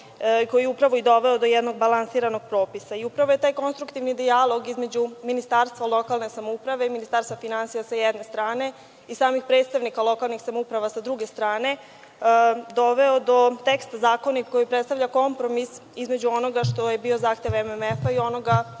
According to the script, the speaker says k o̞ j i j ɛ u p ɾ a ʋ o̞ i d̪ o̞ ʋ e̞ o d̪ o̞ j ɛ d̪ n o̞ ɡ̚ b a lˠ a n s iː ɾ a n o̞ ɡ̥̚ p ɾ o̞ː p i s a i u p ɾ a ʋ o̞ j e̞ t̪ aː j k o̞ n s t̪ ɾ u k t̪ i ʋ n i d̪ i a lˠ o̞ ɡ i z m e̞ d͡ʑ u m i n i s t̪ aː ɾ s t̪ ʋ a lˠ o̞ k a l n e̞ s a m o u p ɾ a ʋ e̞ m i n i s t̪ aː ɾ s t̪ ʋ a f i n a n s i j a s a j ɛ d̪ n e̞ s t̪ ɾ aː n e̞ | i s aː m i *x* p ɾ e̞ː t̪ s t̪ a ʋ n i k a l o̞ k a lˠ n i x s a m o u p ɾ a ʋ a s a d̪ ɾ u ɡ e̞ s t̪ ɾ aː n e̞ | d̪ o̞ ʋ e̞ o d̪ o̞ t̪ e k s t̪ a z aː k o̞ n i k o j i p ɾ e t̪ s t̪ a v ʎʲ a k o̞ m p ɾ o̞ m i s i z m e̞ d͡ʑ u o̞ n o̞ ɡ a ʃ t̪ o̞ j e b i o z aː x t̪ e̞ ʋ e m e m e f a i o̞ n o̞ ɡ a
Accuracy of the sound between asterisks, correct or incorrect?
correct